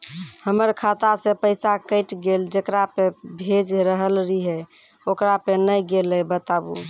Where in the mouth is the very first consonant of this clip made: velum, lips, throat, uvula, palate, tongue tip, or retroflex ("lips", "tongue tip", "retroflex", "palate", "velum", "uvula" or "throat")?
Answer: throat